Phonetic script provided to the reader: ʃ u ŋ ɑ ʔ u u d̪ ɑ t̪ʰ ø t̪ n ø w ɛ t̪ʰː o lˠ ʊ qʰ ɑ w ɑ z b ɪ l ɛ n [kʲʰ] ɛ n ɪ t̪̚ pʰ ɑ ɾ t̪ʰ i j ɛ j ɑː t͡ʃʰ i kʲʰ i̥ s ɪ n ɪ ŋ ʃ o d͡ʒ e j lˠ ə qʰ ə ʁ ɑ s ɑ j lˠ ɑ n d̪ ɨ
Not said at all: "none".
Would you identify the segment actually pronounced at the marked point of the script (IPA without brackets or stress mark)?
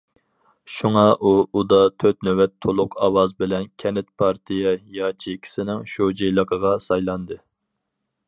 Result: kʲʰ